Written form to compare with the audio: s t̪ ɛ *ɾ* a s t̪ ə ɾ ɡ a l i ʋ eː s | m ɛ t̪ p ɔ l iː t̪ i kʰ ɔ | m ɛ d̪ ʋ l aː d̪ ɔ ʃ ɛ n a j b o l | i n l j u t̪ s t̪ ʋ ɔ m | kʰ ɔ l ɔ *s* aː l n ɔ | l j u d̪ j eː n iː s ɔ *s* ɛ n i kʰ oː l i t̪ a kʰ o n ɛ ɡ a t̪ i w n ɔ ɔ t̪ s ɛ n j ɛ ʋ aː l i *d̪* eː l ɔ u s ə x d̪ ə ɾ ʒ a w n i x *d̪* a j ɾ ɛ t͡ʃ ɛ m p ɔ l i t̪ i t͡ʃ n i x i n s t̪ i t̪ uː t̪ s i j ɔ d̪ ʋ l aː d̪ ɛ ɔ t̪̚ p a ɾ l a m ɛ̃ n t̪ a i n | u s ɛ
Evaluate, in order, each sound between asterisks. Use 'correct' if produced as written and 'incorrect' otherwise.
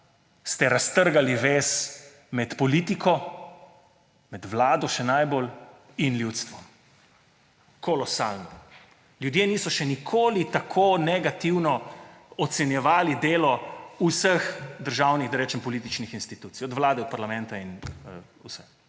correct, correct, incorrect, correct, correct

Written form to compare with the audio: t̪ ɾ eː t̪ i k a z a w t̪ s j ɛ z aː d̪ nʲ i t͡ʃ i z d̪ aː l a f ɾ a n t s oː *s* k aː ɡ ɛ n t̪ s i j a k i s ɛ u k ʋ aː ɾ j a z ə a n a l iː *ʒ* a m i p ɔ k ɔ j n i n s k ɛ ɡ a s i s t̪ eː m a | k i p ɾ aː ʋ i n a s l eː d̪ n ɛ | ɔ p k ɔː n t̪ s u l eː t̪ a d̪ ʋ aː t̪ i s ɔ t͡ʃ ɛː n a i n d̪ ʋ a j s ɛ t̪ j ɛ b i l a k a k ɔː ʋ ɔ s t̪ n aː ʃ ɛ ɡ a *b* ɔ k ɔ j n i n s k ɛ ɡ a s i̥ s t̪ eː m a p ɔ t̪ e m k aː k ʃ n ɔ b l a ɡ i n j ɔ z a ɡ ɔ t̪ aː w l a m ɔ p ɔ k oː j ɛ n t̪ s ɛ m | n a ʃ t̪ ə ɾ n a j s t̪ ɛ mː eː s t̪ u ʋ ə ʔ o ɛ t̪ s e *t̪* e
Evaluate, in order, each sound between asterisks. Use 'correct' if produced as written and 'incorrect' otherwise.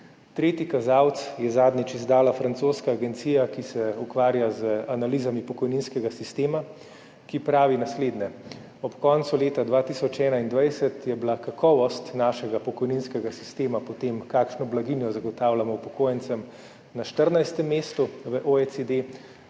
correct, incorrect, incorrect, incorrect

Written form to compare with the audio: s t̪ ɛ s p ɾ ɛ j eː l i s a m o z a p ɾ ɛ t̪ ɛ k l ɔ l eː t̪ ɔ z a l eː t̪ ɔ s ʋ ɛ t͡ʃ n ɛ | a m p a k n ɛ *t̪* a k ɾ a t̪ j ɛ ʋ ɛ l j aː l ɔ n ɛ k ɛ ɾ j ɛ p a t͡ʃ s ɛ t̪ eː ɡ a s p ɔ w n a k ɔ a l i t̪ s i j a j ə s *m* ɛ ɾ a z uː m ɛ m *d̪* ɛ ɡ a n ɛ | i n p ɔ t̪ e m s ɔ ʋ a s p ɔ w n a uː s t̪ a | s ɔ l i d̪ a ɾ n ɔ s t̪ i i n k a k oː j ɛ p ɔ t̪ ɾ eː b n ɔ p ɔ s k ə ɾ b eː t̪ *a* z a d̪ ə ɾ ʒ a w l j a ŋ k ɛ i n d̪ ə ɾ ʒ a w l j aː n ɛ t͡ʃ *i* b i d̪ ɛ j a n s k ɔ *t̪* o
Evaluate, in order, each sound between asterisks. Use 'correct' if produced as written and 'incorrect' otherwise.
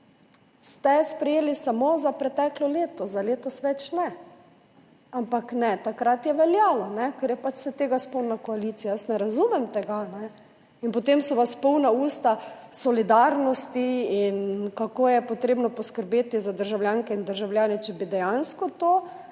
correct, incorrect, incorrect, incorrect, incorrect, correct

